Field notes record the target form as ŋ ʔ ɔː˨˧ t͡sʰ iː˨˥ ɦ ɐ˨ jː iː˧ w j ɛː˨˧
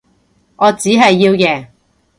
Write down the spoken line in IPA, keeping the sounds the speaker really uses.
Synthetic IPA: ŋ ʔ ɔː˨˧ t͡s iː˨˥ ɦ ɐ˨ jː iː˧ w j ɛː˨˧